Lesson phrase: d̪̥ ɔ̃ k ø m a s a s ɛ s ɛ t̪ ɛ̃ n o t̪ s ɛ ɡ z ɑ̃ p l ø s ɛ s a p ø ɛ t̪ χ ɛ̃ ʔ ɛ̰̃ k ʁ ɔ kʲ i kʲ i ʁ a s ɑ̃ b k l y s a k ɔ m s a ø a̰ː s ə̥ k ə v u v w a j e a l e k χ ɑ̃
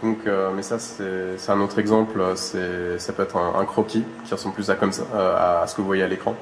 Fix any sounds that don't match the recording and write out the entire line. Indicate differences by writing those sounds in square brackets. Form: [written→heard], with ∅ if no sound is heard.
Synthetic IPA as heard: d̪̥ ɔ̃ k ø m [a→ɛ] s a s ɛ s ɛ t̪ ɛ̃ n o t̪ [s→χ] ɛ ɡ z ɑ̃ p l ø s ɛ s a p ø ɛ t̪ χ ɛ̃ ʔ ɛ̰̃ k [ʁ→χ] ɔ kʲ i kʲ i ʁ [a→ə] s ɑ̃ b [k→p] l y s a k ɔ m s a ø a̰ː s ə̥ k ə v u v w a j e a l e k χ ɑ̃